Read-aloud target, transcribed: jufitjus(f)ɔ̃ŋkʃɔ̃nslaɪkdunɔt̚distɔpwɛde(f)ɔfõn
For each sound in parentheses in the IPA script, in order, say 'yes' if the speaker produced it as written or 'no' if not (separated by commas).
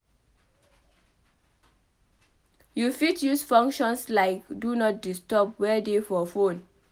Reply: yes, yes